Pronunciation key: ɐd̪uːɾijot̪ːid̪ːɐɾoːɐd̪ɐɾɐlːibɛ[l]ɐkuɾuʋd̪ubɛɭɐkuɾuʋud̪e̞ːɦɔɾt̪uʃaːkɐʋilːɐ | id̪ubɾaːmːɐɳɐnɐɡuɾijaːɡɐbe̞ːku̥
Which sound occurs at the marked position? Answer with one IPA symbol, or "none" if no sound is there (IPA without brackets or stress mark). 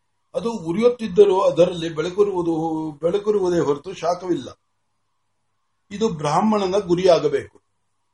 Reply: ɭ